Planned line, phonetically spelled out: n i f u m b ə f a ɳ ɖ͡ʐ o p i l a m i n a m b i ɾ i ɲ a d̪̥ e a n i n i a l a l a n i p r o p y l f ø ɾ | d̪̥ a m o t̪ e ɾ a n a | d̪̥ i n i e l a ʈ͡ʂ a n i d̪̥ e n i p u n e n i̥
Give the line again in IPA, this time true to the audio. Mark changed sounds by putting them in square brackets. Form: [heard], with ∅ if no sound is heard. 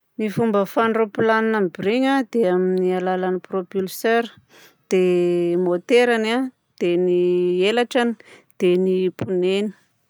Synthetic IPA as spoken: n i f u m b ə f a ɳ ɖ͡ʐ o p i l a [n] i n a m b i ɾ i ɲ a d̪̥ e a [m] i n i a l a l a n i p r o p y l [s] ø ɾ | d̪̥ [e] m o t̪ e ɾ a n a | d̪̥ [e] n i e l a ʈ͡ʂ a n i d̪̥ e n i p u n e n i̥